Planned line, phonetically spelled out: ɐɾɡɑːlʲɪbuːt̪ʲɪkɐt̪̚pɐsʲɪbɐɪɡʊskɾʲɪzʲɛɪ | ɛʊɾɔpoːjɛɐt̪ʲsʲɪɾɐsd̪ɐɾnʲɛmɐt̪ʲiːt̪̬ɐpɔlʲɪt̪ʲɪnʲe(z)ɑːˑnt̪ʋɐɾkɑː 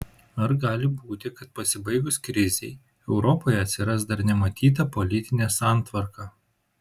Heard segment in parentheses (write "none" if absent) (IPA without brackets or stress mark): s